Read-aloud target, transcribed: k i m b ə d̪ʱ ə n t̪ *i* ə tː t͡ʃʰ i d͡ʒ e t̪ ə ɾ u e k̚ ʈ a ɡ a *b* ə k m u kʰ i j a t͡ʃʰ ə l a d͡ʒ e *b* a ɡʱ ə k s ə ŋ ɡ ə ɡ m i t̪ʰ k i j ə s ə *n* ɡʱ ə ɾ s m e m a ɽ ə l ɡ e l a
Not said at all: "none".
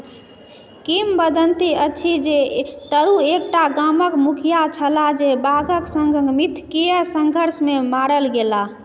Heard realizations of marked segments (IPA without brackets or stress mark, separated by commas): i, m, b, ŋ